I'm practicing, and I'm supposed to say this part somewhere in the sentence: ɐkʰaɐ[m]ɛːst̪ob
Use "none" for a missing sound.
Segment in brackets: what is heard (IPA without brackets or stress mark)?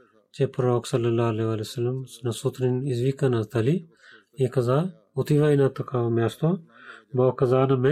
m